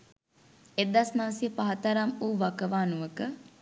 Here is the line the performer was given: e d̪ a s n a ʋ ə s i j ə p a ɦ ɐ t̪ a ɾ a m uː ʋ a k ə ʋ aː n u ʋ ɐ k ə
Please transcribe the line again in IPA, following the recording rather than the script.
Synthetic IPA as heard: e d̪ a s n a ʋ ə s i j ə p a ɦ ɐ t̪ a ɾ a m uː ʋ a k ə ʋ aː n u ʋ ə k ə